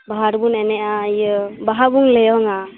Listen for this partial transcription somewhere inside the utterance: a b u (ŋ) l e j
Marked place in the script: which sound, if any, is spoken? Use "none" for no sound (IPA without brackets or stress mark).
ŋ